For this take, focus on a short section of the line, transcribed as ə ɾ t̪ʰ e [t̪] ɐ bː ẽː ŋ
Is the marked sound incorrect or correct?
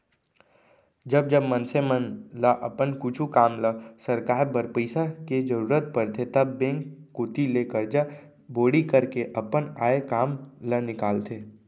correct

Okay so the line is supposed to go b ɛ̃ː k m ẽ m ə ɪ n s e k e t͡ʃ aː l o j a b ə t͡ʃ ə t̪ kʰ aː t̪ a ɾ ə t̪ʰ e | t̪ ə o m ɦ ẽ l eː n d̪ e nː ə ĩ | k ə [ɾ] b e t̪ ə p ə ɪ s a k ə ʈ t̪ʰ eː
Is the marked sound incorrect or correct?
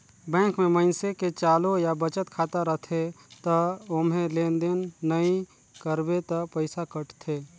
correct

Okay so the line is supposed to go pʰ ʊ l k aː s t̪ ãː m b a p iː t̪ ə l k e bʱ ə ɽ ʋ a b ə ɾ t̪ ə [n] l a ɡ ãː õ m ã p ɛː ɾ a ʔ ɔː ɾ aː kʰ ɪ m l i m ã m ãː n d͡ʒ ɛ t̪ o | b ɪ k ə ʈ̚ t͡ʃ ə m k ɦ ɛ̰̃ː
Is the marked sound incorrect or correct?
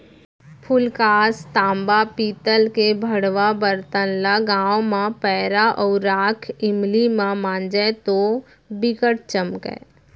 correct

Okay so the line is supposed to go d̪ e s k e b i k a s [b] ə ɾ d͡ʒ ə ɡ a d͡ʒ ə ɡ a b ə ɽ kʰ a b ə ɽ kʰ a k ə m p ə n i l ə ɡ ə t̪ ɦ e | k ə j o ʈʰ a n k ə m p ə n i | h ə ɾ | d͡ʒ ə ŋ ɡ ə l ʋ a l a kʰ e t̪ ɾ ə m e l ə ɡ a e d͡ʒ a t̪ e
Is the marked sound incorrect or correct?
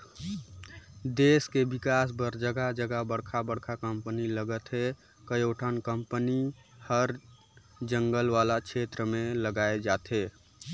correct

